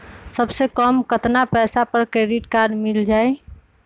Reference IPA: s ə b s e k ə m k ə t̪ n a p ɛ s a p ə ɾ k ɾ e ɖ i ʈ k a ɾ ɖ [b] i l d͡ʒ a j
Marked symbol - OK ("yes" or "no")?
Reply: no